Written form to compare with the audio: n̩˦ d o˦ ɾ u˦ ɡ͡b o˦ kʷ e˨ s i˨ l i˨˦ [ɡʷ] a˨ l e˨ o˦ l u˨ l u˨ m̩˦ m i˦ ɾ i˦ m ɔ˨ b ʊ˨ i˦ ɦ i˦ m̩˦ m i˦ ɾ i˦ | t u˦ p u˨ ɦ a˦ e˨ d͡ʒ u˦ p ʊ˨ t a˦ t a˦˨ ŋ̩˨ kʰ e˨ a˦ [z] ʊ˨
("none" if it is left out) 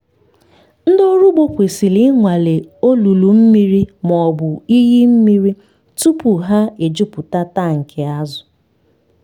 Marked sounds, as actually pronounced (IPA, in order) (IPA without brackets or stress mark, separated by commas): ŋʷ, z